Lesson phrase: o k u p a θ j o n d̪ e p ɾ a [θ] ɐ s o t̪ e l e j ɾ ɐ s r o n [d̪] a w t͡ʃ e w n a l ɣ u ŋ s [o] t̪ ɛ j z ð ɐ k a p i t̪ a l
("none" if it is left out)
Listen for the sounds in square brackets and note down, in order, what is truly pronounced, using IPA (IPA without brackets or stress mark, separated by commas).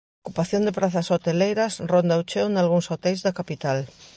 θ, d̪, o